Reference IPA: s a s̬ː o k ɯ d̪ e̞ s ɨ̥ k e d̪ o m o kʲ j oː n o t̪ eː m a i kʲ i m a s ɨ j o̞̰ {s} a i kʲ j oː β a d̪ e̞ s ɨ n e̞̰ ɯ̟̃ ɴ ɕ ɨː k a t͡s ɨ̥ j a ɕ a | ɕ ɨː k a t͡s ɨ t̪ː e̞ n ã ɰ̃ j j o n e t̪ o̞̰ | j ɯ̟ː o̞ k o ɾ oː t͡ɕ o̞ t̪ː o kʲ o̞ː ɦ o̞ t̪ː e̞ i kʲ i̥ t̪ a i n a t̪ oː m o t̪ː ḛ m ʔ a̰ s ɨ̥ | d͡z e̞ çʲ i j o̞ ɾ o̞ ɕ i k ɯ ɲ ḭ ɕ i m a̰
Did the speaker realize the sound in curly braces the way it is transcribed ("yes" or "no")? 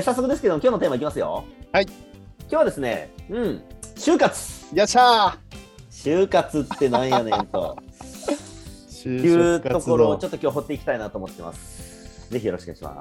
no